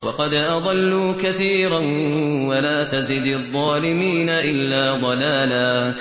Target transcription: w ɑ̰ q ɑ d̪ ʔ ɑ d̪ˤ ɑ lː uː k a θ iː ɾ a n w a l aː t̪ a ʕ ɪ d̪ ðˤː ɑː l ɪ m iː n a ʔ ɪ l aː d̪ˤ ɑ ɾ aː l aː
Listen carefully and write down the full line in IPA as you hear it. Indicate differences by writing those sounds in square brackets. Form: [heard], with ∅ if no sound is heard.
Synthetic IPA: w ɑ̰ q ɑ d̪ ʔ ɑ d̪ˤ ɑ lː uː k a θ iː ɾ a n w a l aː t̪ a [z] ɪ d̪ ðˤː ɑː l ɪ m iː n a ʔ ɪ [lː] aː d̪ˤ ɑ [l] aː l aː